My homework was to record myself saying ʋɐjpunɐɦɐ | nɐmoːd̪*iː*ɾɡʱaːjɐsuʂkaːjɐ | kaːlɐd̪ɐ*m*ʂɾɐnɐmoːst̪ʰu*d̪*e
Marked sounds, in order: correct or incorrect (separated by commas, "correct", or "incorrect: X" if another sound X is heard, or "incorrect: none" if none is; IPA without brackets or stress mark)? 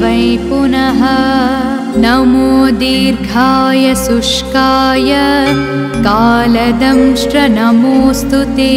correct, correct, incorrect: t̪